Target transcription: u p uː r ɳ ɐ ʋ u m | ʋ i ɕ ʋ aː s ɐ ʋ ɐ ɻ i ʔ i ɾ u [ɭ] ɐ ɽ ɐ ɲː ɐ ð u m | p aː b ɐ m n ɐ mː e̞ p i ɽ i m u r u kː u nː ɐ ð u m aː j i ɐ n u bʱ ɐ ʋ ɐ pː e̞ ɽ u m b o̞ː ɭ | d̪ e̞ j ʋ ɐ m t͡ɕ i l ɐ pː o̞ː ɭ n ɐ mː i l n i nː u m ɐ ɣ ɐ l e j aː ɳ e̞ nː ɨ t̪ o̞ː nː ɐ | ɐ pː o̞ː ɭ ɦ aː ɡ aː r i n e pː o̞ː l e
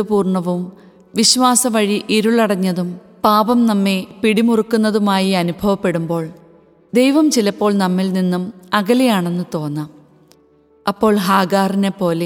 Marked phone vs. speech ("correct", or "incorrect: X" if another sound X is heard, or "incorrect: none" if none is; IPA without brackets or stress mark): correct